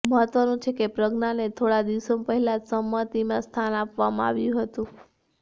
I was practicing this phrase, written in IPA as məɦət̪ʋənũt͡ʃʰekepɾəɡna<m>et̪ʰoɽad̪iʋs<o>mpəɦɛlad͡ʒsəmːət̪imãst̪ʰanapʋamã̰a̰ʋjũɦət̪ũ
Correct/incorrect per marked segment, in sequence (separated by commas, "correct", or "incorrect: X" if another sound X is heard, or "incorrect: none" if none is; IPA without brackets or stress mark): incorrect: n, correct